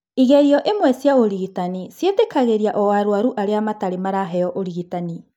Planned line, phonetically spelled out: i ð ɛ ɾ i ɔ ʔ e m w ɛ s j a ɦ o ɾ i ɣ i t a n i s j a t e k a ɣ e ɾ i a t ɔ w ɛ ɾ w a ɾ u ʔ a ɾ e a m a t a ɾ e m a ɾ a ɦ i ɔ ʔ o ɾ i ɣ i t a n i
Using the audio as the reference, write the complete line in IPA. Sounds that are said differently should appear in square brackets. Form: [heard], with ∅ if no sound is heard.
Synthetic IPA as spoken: i [ɣ] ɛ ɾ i ɔ ʔ e m w ɛ s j a [∅] o ɾ i ɣ i t a n i s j [e] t e k a ɣ e ɾ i a [ʔ] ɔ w [a] ɾ w a ɾ u ʔ a ɾ e a m a t a ɾ e m a ɾ a ɦ [ɛ] ɔ ʔ o ɾ i ɣ i t a n i